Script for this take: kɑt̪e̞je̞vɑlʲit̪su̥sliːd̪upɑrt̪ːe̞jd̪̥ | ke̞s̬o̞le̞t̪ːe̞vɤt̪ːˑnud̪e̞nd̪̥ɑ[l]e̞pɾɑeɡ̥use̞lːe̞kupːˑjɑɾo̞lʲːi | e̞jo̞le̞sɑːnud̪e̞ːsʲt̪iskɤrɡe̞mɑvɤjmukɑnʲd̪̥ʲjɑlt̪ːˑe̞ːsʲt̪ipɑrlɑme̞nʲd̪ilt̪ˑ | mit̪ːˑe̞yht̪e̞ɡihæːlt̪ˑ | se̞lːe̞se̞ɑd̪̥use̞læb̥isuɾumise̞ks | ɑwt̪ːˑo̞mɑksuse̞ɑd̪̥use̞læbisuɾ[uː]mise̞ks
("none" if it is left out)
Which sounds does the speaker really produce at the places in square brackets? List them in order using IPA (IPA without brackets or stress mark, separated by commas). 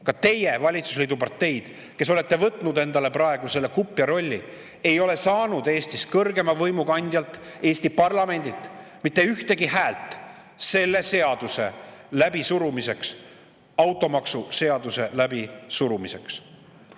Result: l, u